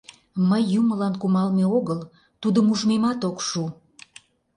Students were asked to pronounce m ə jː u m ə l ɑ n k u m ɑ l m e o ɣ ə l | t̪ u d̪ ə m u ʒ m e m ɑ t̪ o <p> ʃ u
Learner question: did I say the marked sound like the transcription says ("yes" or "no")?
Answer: no